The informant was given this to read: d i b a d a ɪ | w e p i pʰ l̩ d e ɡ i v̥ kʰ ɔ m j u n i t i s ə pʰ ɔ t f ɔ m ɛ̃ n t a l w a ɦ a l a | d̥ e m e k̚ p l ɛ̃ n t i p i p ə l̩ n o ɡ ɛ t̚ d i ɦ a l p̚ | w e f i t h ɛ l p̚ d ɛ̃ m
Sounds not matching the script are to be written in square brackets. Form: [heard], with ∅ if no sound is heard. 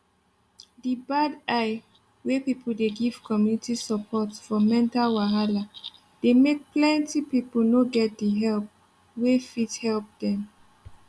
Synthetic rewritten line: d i b a d a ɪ | w e p i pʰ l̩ d e ɡ i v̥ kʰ ɔ m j u n i t i s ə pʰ ɔ t f ɔ m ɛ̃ n t a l w a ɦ a l a | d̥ e m e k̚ p l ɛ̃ n t i p i p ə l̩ n o ɡ ɛ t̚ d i ɦ [ɛ] l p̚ | w e f i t h ɛ l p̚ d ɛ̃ m